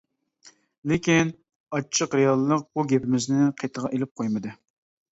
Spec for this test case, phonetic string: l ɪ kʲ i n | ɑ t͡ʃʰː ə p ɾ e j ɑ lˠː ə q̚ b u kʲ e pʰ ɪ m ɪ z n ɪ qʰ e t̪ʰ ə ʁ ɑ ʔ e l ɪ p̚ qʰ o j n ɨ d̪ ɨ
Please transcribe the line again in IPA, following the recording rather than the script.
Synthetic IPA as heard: l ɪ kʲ i n | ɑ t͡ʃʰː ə q ɾ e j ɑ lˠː ə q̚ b u ɡʲ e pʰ ɪ m ɪ z n ɪ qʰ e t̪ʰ ə ʁ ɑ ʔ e l ɪ p̚ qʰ o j m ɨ d̪ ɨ